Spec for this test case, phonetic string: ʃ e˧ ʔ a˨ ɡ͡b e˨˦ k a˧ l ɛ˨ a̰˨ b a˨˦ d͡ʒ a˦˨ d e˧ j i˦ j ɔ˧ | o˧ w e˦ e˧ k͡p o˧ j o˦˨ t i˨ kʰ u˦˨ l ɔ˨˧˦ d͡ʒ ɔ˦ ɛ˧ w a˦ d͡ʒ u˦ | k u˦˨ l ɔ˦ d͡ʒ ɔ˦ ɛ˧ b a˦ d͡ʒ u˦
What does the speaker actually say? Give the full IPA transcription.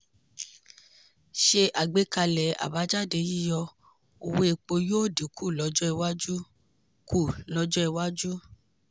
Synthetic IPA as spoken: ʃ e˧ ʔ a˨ ɡ͡b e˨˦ k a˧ l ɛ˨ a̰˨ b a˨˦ d͡ʒ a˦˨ d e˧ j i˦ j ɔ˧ | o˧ w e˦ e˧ k͡p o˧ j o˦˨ d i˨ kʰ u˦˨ l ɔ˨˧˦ d͡ʒ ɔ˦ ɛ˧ w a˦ d͡ʒ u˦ | k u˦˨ l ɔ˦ d͡ʒ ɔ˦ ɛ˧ w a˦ d͡ʒ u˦